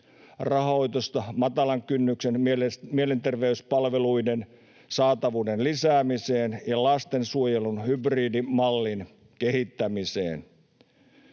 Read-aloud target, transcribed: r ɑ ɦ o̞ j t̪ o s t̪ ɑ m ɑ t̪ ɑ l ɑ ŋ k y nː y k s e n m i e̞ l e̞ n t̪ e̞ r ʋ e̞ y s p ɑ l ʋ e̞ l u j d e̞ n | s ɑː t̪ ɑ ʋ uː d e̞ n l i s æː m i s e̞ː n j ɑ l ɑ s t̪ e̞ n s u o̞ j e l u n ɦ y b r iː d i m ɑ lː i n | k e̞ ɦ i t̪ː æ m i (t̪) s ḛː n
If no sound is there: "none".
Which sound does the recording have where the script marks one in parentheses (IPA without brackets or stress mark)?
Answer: none